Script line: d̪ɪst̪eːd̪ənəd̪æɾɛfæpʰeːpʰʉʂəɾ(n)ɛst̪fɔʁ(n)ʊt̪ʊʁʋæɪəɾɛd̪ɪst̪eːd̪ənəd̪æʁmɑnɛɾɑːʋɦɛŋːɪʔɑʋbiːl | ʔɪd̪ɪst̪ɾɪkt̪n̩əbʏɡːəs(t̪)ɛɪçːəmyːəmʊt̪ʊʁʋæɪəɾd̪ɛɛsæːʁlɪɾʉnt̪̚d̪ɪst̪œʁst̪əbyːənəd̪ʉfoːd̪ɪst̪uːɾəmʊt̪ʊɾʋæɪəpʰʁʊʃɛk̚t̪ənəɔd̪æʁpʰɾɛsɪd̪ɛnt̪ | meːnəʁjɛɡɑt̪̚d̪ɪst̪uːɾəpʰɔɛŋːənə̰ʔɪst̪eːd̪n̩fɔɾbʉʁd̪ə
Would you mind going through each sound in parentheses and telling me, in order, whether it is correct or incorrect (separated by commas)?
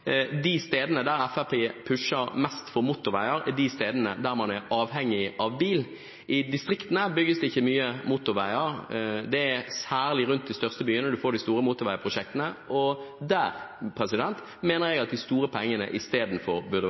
incorrect, incorrect, incorrect